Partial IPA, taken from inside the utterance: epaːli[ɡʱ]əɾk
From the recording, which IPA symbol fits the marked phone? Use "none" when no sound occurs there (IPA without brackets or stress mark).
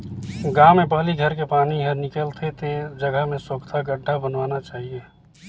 ɡʱ